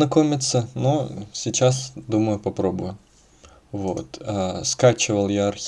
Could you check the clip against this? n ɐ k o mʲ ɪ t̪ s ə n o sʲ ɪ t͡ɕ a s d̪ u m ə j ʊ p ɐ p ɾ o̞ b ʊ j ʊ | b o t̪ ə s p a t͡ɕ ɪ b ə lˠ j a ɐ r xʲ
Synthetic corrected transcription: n ɐ k o mʲ ɪ t̪ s ə n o sʲ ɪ t͡ɕ a s d̪ u m ə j ʊ p ɐ p ɾ o̞ b ʊ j ʊ | v o t̪ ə s k a t͡ɕ ɪ v ə lˠ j a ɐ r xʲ